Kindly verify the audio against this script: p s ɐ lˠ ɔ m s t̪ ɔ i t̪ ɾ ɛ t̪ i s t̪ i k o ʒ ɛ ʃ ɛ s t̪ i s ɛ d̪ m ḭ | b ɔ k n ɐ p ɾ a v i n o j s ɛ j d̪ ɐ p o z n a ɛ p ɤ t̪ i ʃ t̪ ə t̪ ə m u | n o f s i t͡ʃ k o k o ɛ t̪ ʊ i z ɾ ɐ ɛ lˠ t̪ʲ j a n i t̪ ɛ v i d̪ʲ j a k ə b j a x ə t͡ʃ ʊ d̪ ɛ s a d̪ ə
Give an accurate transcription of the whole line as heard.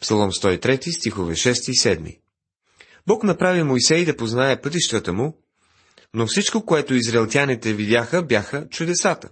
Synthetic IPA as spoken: p s ɐ lˠ ɔ m s t̪ ɔ i t̪ ɾ ɛ t̪ i s t̪ i x o v ɛ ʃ ɛ s t̪ i s ɛ d̪ m ḭ | b ɔ k n ɐ p ɾ a v i m o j s ɛ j d̪ ɐ p o z n a ɛ p ɤ t̪ i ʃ t̪ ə t̪ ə m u | n o f s i t͡ʃ k o k o ɛ t̪ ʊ i z ɾ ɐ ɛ lˠ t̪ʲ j a n i t̪ ɛ v i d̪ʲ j a x ə b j a x ə t͡ʃ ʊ d̪ ɛ s a t̪ ə